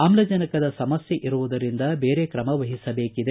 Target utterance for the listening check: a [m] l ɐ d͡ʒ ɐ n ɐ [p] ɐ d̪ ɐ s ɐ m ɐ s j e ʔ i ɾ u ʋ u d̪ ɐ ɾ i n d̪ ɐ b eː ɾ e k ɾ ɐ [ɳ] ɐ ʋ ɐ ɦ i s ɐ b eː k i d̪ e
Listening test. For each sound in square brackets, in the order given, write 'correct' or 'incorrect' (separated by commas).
correct, incorrect, incorrect